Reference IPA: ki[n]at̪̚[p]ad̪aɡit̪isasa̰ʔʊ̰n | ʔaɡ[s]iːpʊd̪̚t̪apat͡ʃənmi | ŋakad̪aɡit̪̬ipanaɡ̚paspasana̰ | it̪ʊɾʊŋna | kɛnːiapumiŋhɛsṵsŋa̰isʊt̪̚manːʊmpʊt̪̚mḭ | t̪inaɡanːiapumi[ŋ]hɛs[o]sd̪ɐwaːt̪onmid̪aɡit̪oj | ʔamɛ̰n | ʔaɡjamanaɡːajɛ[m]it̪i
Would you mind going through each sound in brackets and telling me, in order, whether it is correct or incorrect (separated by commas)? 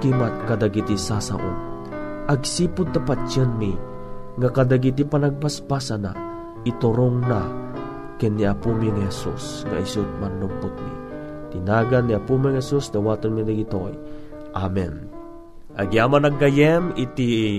incorrect, incorrect, correct, correct, incorrect, correct